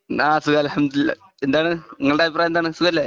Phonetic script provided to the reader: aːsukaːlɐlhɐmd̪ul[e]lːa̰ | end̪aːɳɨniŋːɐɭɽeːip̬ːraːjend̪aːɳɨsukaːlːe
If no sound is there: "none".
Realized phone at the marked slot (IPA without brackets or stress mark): i